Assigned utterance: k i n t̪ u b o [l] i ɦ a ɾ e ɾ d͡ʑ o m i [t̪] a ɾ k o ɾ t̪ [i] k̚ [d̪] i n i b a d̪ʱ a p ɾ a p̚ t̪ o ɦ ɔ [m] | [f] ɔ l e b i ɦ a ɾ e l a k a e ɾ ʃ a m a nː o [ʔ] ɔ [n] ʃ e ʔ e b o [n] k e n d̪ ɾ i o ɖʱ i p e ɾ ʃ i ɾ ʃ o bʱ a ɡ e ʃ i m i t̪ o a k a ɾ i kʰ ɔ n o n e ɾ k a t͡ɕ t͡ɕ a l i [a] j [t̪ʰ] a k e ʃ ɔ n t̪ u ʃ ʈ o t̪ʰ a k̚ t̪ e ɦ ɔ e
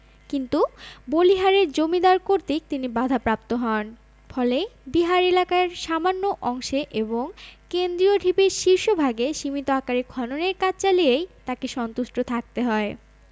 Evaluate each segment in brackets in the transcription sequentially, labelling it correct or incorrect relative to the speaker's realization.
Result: correct, incorrect: d̪, correct, incorrect: t̪, incorrect: n, correct, correct, incorrect: ŋ, incorrect: ŋ, incorrect: e, incorrect: t̪

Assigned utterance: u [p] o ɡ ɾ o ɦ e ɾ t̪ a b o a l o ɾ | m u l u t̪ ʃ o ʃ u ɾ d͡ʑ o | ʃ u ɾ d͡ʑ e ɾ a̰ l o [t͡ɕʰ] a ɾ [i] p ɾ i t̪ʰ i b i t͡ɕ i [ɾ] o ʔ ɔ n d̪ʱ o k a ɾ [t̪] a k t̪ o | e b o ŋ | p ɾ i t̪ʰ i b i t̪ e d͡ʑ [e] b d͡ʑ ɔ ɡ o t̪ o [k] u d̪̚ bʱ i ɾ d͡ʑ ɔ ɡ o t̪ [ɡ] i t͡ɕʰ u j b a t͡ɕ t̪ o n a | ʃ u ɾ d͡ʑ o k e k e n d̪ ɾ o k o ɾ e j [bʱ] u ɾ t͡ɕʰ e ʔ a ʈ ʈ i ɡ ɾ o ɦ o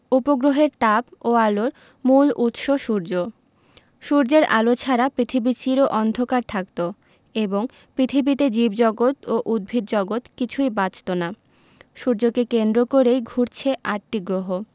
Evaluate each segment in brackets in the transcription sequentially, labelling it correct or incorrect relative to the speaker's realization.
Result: correct, correct, incorrect: a, correct, incorrect: t̪ʰ, incorrect: i, incorrect: ʔ, incorrect: k, incorrect: ɡʱ

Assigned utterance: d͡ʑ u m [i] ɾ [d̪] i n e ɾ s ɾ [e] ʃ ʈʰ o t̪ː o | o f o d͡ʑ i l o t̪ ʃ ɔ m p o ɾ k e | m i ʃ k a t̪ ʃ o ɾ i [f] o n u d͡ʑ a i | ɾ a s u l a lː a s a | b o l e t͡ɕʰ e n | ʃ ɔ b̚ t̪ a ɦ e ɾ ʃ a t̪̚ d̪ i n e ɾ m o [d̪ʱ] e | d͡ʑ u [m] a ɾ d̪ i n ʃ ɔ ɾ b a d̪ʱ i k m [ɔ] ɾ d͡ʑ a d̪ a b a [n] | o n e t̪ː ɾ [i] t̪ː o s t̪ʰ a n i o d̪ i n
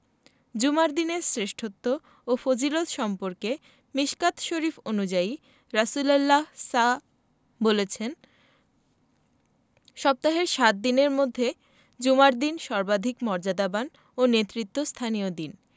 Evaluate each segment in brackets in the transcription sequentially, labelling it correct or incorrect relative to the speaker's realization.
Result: incorrect: a, correct, correct, correct, incorrect: d̪ʱː, correct, correct, correct, correct

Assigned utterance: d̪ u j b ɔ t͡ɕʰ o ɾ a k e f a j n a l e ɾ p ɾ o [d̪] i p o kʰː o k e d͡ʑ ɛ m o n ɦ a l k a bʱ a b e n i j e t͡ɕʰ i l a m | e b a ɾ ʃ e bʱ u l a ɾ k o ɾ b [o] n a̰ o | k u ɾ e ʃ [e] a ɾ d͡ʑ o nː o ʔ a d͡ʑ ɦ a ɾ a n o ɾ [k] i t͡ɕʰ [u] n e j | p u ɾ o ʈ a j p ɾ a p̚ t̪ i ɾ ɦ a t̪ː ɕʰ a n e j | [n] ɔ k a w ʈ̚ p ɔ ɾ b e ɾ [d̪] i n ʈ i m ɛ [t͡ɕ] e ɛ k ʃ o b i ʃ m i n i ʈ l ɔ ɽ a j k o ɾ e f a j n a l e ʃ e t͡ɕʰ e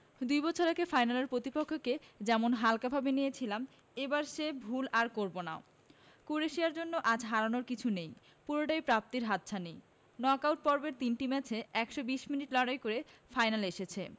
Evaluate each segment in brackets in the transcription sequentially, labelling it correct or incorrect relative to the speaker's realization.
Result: incorrect: t̪, correct, incorrect: i, correct, correct, correct, incorrect: t̪, incorrect: t͡ɕʰ

